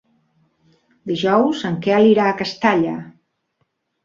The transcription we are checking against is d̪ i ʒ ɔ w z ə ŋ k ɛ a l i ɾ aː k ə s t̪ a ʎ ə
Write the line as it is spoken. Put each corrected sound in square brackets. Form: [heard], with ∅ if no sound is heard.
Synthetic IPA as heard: d̪ i ʒ ɔ w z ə ŋ k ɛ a l i ɾ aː k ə s t̪ a ʎ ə